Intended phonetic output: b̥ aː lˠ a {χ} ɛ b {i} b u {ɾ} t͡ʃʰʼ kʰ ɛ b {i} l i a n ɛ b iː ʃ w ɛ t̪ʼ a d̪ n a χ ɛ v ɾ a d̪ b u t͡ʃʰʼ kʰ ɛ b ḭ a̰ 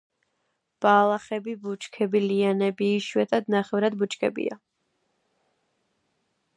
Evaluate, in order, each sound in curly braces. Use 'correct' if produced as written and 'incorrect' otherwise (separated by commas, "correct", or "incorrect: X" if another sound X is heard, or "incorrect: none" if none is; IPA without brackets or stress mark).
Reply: correct, correct, incorrect: none, correct